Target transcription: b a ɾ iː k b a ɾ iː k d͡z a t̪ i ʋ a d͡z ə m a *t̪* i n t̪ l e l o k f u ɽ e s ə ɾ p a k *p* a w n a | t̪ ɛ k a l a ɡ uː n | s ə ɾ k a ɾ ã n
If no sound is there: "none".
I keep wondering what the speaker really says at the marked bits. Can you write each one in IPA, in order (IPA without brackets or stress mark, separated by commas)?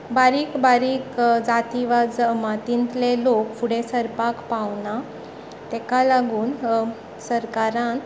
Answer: t̪, p